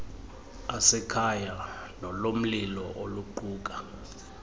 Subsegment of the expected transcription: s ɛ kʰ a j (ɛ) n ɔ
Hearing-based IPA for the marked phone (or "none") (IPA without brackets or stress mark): a